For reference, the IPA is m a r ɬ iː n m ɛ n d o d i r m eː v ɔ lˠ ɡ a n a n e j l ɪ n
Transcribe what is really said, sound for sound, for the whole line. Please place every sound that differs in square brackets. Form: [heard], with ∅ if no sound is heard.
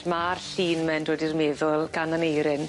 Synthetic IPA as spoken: m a r ɬ iː n m ɛ n d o d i r m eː [ð] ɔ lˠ ɡ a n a n e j [ɾ] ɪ n